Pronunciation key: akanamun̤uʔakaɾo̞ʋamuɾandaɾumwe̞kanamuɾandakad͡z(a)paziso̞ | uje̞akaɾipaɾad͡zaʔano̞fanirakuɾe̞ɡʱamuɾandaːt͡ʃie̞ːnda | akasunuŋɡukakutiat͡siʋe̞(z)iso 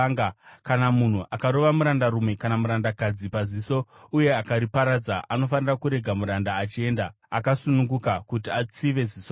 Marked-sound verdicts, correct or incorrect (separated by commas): incorrect, correct